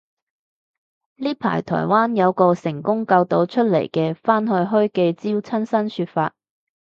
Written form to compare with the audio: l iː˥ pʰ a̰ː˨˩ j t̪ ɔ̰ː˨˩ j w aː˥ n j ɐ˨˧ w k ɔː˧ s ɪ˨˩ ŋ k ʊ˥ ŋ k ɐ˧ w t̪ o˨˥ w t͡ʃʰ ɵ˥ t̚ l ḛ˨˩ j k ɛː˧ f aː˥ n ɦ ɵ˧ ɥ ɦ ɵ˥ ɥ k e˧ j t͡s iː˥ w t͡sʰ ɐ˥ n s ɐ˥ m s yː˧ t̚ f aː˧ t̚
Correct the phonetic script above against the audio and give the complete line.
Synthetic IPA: l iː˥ pʰ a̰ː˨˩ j t̪ʰ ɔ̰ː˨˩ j w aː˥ n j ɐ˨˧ w k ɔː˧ s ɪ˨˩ ŋ k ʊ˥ ŋ k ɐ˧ w t̪ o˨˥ w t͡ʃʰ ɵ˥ t̚ l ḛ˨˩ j k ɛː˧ f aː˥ n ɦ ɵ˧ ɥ ɦ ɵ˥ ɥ k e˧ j t͡s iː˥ w t͡sʰ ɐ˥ n s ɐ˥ n s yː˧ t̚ f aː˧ t̚

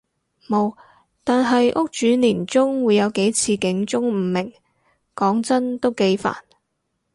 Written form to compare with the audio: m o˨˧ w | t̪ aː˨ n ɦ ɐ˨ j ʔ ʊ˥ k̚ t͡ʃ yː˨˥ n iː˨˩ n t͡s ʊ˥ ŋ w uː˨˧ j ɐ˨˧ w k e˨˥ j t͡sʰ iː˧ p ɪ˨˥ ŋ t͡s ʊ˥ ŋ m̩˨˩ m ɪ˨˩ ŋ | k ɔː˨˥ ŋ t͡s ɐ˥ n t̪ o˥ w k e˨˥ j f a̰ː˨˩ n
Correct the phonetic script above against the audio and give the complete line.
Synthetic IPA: m o˨˧ w | t̪ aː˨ n ɦ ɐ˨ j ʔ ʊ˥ k̚ t͡ʃ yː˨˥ n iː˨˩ n t͡s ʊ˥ ŋ w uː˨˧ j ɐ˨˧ w k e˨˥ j t͡sʰ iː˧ k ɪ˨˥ ŋ t͡s ʊ˥ ŋ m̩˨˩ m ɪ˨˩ ŋ | k ɔː˨˥ ŋ t͡s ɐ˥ n t̪ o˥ w k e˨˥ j f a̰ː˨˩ n

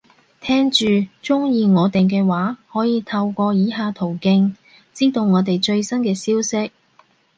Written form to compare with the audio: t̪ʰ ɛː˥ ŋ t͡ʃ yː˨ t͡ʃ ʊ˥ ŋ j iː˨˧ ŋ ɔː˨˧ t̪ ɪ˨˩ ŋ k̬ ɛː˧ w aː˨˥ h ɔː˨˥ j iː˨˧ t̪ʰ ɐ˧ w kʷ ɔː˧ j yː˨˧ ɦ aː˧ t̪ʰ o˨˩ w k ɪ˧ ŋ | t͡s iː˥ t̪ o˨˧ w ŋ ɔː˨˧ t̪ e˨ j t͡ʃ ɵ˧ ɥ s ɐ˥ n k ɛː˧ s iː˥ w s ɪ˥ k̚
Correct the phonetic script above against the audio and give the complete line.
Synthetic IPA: t̪ʰ ɛː˥ ŋ t͡ʃ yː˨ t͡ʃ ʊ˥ ŋ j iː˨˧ ŋ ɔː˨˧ t̪ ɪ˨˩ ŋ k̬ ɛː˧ w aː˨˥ h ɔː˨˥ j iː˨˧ t̪ʰ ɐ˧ w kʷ ɔː˧ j iː˨˧ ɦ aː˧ t̪ʰ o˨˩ w k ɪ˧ ŋ | t͡s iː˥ t̪ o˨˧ w ŋ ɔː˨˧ t̪ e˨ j t͡ʃ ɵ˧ ɥ s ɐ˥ n k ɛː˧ s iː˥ w s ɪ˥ k̚

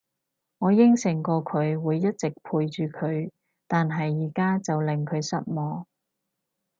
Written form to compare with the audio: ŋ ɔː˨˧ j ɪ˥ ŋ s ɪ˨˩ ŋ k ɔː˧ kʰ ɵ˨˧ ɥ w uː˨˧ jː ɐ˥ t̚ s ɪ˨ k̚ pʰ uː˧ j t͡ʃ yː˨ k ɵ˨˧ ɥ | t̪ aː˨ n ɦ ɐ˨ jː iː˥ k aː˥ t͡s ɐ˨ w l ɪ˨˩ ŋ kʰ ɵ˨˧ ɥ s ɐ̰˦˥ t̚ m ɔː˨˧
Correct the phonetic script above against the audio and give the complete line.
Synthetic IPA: ŋ ɔː˨˧ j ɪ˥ ŋ s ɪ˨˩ ŋ k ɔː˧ kʰ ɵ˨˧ ɥ w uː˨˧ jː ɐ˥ t̚ t͡s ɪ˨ k̚ pʰ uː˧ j t͡ʃ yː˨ kʰ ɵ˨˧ ɥ | t̪ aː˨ n ɦ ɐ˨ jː iː˨˩ k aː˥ t͡s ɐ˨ w l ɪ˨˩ ŋ kʰ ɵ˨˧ ɥ s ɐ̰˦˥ t̚ m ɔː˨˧

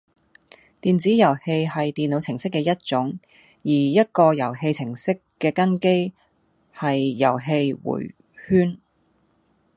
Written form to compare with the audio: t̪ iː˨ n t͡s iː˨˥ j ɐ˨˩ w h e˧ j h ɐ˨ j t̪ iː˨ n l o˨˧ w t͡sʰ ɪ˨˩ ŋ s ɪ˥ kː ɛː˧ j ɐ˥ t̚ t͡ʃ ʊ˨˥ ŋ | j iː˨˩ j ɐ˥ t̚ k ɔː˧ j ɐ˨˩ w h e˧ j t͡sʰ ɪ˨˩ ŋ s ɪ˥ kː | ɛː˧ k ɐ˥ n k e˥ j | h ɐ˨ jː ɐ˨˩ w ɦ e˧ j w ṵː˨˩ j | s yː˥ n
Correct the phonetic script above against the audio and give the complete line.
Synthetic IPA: t̪ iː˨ n t͡s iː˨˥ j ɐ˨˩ w h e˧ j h ɐ˨ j t̪ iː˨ n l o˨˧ w t͡sʰ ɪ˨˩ ŋ s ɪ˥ kː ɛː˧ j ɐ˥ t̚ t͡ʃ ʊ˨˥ ŋ | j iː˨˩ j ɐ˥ t̚ k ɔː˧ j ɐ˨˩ w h e˧ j t͡sʰ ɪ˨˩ ŋ s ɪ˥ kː | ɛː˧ k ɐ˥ n k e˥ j | h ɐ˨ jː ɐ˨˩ w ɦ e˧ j w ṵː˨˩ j | h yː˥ n

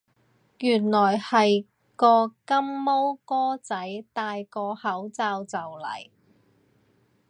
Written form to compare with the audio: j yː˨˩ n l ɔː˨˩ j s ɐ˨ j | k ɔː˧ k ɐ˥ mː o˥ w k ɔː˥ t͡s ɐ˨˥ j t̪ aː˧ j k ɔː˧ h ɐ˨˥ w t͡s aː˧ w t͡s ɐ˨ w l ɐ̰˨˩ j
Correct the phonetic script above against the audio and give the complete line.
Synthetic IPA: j yː˨˩ n l ɔː˨˩ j h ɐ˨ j | k ɔː˧ k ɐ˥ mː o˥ w k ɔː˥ t͡s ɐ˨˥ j t̪ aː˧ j k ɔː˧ h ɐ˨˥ w t͡s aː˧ w t͡s ɐ˨ w l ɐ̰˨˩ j

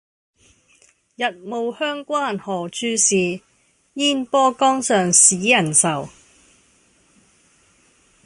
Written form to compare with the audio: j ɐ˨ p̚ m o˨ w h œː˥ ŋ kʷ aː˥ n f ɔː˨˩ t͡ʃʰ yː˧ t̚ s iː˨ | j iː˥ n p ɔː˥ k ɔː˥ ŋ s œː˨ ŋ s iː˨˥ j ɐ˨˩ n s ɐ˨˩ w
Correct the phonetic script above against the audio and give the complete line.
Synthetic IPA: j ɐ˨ t̚ m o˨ w h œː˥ ŋ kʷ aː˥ n h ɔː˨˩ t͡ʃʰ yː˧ s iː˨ | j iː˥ n p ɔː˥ k ɔː˥ ŋ s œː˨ ŋ s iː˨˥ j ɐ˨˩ n s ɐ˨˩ w

